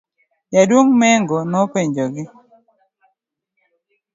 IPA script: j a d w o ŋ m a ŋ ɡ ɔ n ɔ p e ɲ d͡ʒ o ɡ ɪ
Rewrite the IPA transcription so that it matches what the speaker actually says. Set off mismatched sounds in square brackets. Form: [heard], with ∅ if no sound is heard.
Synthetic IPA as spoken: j a d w o ŋ m [ɛ] ŋ ɡ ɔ n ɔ p e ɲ d͡ʒ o ɡ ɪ